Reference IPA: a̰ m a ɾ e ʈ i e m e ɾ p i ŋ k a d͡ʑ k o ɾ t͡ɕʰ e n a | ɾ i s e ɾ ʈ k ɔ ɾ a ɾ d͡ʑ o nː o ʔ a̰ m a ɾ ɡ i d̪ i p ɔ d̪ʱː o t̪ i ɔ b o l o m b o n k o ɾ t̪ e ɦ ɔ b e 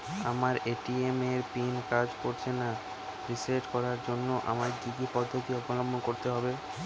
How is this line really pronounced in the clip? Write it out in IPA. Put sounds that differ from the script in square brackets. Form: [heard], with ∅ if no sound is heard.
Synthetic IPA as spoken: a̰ m a ɾ e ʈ i e m e ɾ p i [n] k a d͡ʑ k o ɾ t͡ɕʰ e n a | ɾ i s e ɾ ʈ k ɔ ɾ a ɾ d͡ʑ o nː o ʔ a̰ m a ɾ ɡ i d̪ i p ɔ d̪ʱː o t̪ i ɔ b o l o m b o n k o ɾ t̪ e ɦ ɔ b e